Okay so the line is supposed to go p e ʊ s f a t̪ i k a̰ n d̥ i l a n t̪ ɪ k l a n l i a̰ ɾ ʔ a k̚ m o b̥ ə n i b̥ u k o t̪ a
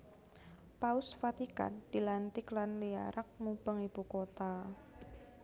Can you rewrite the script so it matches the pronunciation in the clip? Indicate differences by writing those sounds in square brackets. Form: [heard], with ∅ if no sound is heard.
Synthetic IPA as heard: p [a] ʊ s f a t̪ i k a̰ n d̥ i l a n t̪ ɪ k l a n l i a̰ ɾ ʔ a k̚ m [u] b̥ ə [ŋ] i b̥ u k o t̪ a